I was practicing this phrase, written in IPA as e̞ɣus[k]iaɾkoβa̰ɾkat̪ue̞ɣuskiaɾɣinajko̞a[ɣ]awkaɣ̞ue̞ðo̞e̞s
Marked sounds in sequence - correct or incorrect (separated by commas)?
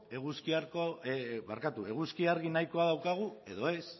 correct, incorrect